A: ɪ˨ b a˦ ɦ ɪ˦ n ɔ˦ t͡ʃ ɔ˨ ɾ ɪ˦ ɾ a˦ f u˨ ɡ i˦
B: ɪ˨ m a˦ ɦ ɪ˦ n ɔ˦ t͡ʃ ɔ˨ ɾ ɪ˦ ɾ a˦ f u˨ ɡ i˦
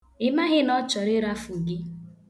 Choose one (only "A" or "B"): B